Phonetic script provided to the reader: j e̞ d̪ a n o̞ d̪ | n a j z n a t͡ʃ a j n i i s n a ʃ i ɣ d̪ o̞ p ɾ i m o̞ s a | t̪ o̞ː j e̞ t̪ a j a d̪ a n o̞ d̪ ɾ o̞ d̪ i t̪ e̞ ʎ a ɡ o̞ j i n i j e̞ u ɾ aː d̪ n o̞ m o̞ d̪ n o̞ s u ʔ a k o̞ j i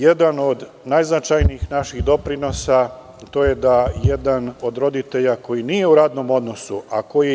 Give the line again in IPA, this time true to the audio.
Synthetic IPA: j e̞ d̪ a n o̞ d̪ | n a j z n a t͡ʃ a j n i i x n a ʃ i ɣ d̪ o̞ p ɾ i n o̞ s a | t̪ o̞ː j e̞ d̪ a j e d̪ a n o̞ d̪ ɾ o̞ d̪ i t̪ e̞ ʎ a k o̞ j i n i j e̞ u ɾ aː d̪ n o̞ m o̞ d̪ n o̞ s u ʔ a k o̞ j i